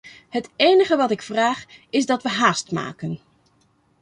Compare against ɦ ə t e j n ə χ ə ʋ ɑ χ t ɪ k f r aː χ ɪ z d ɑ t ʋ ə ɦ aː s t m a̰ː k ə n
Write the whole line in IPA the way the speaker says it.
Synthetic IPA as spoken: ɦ ə t e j n ə χ ə ʋ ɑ t ɪ k f r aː χ ɪ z d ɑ t ʋ ə ɦ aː s t m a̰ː k ə n